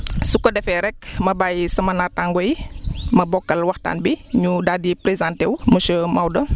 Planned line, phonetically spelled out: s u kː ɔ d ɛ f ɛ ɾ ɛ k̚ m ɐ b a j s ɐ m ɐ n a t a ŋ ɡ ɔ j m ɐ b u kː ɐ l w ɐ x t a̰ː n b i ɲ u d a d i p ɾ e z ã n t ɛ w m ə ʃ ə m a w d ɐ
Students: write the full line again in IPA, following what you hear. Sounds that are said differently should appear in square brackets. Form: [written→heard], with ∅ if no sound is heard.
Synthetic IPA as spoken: s u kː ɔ d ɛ f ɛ ɾ ɛ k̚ m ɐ b a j s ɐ m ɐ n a t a ŋ ɡ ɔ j m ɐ b [u→ɔ] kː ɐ l w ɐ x t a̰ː n b i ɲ u d a d i p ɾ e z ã n t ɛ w m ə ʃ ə m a w d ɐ